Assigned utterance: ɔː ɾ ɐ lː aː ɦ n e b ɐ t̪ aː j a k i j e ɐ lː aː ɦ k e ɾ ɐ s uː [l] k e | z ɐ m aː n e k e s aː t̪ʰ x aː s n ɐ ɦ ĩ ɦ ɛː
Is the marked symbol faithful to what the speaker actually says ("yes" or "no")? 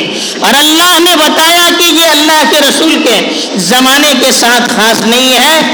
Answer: yes